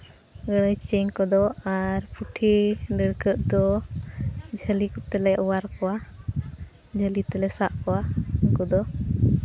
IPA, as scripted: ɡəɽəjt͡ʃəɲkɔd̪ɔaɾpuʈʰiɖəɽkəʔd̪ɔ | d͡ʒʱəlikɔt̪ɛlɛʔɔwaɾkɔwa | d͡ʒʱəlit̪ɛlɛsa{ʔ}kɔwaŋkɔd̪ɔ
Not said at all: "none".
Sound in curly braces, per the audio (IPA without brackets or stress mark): ʔ